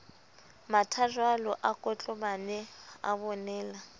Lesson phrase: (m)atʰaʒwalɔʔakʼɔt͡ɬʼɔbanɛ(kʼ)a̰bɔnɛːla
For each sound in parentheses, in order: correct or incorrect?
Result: correct, incorrect

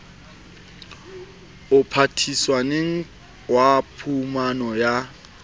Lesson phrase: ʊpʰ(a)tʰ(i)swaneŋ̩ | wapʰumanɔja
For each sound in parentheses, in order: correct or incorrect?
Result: correct, correct

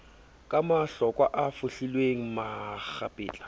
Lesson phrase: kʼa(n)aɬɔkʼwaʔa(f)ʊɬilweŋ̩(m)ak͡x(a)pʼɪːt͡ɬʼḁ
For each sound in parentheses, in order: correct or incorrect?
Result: incorrect, correct, correct, correct

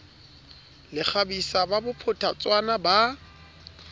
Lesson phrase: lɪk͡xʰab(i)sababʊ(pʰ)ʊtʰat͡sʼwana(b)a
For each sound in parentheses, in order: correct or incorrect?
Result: correct, correct, correct

